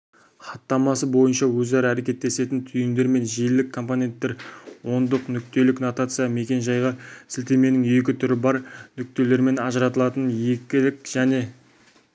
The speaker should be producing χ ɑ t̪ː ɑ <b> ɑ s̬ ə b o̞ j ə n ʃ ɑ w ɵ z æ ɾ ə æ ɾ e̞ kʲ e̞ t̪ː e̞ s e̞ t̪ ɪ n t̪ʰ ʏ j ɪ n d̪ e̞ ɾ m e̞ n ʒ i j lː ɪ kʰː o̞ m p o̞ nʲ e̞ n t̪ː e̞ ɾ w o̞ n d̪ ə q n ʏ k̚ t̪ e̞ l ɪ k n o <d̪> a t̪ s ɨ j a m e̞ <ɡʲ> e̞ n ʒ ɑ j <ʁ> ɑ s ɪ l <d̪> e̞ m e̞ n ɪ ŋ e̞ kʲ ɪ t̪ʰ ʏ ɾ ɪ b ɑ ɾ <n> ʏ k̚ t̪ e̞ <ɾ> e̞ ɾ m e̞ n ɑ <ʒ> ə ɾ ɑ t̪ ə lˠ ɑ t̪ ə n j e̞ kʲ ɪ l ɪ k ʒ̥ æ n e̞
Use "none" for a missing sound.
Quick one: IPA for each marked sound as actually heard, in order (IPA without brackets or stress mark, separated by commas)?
m, t̪, kʲ, ʁ, t̪, n, l, ʒ